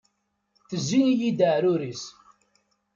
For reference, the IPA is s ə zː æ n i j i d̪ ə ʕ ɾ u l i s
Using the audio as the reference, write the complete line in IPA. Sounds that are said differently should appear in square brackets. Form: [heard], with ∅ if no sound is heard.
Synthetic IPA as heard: [θ] ə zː [i] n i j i d̪ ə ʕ ɾ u [ɾ] i s